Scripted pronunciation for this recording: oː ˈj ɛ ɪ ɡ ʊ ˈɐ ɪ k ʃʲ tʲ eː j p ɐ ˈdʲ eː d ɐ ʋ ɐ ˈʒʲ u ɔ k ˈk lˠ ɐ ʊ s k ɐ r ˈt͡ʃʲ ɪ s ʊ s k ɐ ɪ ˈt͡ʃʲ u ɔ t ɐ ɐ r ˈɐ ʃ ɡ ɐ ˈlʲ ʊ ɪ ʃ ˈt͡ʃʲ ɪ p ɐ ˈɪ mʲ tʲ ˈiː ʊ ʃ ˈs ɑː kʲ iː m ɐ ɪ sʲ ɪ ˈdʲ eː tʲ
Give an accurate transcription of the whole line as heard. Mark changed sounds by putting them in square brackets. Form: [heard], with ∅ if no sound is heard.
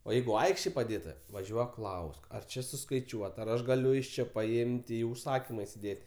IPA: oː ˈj ɛ ɪ ɡ ʊ ˈɐ ɪ k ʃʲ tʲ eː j p ɐ ˈdʲ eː [t] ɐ ʋ ɐ ˈʒʲ u ɔ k ˈk lˠ ɐ ʊ s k ɐ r ˈt͡ʃʲ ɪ s ʊ s k ɐ ɪ ˈt͡ʃʲ u ɔ t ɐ ɐ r ˈɐ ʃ ɡ ɐ ˈlʲ ʊ ɪ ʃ ˈt͡ʃʲ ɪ p ɐ ˈɪ mʲ tʲ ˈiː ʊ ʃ ˈs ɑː kʲ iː m ɐ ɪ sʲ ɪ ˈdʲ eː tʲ